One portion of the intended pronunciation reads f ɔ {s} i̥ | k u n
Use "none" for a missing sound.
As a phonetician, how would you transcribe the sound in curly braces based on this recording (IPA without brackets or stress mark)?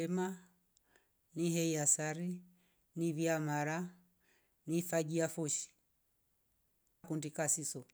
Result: ʃ